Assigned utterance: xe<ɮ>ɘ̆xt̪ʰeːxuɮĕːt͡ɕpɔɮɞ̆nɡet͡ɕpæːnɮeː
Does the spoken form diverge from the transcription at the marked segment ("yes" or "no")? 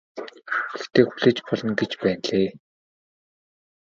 yes